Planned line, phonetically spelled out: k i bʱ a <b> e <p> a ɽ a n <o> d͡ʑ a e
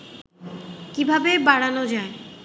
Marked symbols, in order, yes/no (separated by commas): yes, no, yes